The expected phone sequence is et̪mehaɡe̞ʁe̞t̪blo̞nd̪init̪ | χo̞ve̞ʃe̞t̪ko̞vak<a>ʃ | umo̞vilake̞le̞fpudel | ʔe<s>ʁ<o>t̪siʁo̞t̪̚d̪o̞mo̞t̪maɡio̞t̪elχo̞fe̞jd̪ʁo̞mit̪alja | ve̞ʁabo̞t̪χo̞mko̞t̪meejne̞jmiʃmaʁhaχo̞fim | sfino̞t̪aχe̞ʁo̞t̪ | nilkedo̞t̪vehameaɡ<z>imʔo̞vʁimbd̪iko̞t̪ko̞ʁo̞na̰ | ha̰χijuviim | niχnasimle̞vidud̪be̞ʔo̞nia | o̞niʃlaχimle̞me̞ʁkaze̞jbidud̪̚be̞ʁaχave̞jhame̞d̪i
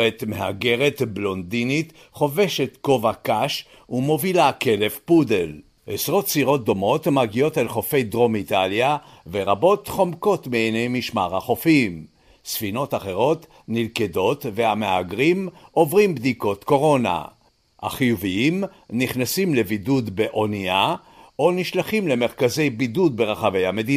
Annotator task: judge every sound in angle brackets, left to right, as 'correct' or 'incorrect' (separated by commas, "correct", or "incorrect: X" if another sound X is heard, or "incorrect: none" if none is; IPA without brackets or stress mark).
correct, correct, correct, incorrect: ʁ